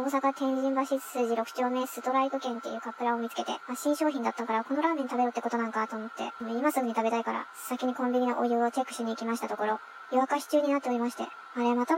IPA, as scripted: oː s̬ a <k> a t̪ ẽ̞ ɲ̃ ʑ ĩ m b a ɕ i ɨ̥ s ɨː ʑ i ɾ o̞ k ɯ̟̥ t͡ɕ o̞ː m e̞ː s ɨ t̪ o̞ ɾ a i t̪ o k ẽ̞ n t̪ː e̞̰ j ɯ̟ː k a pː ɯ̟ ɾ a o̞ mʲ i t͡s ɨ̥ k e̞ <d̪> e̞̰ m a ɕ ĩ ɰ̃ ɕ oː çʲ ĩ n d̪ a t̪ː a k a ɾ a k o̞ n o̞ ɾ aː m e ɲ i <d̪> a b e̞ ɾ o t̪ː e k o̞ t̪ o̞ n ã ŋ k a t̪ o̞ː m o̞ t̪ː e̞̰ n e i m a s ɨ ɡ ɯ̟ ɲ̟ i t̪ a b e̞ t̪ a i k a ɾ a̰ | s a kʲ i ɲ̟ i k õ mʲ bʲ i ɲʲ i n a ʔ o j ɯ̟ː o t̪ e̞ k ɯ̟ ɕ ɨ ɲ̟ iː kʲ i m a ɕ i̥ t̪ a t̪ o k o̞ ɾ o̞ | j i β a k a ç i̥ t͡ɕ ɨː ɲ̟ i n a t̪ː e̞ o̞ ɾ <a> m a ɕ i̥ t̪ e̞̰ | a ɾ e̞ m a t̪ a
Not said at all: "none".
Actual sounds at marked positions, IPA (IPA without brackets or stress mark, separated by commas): k, t̪, t̪, i